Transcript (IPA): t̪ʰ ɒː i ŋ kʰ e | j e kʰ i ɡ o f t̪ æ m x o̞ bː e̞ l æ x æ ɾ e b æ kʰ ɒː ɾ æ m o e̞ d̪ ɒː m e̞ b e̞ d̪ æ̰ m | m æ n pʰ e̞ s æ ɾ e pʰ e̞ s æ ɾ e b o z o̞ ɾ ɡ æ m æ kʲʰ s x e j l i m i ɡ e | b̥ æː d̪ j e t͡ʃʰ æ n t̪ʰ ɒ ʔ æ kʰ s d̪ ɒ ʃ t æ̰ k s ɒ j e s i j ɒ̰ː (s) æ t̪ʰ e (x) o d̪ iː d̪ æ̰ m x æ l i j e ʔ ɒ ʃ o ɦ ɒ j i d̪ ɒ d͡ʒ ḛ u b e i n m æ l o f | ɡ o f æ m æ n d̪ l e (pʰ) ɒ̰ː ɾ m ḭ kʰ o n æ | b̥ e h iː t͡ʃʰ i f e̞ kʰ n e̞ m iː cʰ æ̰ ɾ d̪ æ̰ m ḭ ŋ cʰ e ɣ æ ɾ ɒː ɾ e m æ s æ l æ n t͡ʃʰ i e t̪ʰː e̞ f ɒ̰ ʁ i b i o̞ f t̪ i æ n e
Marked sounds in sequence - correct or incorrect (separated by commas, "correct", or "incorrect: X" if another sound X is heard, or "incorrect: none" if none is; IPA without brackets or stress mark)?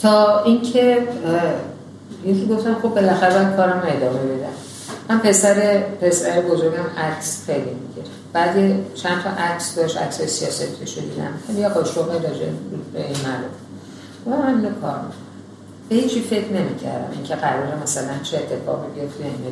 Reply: correct, incorrect: ʃ, incorrect: kʰ